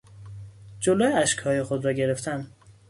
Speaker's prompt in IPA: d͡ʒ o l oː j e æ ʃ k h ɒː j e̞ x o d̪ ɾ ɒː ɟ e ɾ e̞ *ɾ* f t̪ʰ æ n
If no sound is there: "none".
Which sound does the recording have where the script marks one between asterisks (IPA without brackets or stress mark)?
none